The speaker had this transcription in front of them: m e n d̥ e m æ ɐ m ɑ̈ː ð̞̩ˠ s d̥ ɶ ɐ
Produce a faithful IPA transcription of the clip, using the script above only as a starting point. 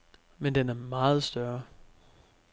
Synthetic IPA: m e n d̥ e n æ ɐ m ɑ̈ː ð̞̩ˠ s d̥ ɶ ɐ